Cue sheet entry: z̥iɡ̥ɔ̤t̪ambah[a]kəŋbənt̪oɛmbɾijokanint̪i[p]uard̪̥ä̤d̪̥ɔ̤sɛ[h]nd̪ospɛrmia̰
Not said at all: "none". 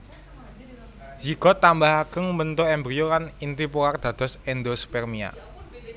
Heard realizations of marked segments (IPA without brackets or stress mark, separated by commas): a, p, none